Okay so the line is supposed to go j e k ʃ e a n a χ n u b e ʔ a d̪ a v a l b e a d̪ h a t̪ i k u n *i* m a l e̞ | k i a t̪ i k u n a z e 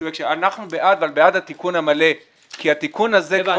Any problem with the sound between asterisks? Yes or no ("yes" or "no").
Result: yes